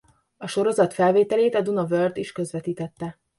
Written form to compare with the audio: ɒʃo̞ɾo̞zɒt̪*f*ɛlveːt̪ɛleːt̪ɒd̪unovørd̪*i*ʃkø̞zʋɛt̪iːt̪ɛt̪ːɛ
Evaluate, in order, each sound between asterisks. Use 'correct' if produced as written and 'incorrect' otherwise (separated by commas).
correct, correct